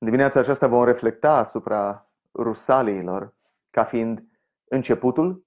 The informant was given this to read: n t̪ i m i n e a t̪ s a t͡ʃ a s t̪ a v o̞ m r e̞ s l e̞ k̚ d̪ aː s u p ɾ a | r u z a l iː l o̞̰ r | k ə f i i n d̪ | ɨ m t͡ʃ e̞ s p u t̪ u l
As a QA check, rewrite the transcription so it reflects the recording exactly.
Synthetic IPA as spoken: n d̪ i m i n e a t̪ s a t͡ʃ a s t̪ a v o̞ m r e̞ f l e̞ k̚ t̪ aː s u p ɾ a | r u s a l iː l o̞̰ r | k a f i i n d̪ | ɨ n t͡ʃ e̞ p u t̪ u l